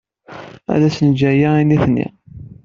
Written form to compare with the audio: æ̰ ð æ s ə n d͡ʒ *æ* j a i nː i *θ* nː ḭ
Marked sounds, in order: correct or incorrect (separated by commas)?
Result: correct, correct